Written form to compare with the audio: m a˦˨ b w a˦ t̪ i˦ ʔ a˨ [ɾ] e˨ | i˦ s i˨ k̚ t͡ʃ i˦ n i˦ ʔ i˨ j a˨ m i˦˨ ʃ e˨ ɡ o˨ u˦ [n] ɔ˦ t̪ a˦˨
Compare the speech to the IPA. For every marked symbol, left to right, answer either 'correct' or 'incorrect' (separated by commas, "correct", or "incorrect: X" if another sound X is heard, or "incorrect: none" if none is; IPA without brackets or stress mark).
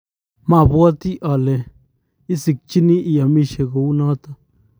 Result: incorrect: l, correct